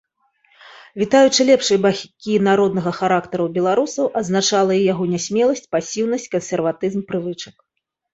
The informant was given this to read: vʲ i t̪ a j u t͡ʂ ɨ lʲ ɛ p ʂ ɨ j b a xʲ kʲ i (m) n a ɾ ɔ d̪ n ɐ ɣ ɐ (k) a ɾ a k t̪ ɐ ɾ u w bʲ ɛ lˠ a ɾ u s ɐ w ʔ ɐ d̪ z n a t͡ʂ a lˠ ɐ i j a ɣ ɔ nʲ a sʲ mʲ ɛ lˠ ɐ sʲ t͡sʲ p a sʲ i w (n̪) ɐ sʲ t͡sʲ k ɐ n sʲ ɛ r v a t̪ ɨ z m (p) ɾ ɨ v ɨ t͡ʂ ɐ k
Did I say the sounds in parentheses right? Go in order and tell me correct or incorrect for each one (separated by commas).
incorrect, incorrect, correct, correct